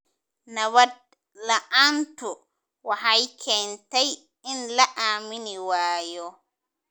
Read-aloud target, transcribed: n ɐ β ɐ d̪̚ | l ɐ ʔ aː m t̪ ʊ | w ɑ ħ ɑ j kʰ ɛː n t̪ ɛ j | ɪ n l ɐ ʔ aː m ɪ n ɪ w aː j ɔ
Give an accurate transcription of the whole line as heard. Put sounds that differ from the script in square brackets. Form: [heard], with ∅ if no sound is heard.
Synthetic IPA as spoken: n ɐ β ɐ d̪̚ | l ɐ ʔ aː [n] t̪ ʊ | w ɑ ħ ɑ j kʰ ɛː n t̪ ɛ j | ɪ n l ɐ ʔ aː m ɪ n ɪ w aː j ɔ